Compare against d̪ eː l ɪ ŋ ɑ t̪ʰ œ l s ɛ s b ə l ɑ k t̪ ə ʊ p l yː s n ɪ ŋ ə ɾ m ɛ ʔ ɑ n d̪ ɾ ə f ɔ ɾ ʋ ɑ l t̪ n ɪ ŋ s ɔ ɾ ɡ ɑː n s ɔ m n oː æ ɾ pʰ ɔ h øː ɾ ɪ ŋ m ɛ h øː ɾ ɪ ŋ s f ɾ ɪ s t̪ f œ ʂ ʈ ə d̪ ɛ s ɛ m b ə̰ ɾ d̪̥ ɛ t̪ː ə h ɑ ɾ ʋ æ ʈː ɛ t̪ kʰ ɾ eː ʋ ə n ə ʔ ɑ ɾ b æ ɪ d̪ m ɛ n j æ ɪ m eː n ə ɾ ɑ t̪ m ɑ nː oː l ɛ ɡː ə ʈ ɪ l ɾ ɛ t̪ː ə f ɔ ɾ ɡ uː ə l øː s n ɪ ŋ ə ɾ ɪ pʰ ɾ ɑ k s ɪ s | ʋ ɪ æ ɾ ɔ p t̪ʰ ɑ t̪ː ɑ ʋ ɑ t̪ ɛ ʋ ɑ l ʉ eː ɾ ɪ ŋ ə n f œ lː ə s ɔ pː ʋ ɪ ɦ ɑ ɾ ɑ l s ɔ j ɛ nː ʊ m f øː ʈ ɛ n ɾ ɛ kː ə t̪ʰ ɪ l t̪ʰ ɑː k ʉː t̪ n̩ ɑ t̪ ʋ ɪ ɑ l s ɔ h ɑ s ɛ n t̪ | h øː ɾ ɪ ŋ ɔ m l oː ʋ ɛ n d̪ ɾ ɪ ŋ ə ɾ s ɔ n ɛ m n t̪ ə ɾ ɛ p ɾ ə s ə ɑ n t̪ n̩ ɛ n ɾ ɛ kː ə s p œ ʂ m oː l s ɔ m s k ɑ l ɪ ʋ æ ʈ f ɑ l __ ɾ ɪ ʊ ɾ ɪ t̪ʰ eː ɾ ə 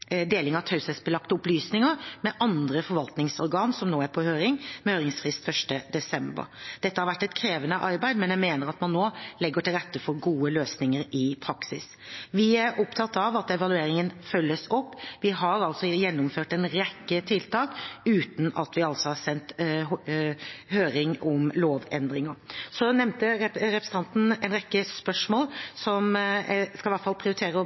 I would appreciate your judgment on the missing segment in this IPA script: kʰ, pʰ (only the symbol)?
pʰ